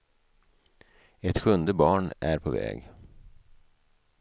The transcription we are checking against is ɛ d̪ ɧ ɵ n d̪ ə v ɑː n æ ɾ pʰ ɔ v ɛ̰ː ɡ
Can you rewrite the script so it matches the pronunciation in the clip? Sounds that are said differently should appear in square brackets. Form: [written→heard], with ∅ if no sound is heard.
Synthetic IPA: ɛ [d̪→t̪] ɧ ɵ n d̪ ə [v→b] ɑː [n→ɳ] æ ɾ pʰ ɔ v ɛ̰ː ɡ